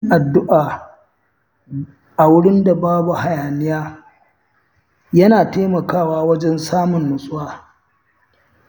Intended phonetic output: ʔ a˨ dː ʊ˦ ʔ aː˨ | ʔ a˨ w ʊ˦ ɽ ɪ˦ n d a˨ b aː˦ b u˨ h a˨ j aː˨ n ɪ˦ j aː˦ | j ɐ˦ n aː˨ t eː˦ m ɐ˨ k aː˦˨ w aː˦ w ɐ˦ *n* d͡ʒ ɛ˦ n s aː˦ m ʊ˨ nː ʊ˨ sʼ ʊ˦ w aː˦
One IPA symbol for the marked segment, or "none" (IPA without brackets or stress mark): none